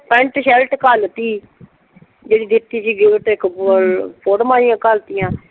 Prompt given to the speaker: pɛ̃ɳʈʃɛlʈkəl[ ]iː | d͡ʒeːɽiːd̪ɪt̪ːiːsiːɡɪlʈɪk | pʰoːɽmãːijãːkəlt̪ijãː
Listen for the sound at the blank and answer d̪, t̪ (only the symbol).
t̪